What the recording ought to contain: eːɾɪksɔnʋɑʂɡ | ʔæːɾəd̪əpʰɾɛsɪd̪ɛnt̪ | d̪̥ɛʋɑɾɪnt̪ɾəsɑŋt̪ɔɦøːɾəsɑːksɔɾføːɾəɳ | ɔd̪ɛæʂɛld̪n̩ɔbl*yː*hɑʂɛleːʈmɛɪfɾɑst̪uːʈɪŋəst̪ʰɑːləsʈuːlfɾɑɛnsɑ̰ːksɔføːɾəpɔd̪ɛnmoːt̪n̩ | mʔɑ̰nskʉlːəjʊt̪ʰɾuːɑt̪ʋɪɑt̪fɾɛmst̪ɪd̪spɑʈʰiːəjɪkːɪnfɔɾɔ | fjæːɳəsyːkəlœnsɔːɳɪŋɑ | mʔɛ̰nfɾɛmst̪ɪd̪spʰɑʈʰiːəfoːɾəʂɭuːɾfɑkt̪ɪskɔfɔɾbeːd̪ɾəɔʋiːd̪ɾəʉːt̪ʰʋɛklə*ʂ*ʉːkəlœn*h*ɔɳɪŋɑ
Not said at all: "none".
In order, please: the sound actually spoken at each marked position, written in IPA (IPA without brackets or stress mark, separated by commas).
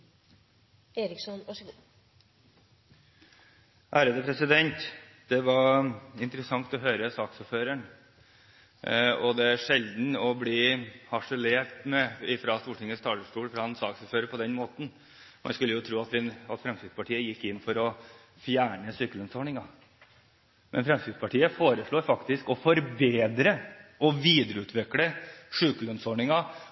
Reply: iː, ʂ, s